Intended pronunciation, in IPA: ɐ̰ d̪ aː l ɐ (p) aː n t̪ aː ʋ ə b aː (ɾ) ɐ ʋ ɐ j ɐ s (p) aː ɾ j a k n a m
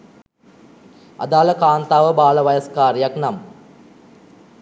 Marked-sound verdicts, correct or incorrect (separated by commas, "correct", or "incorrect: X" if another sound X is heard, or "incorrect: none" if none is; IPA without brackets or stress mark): incorrect: k, incorrect: l, incorrect: k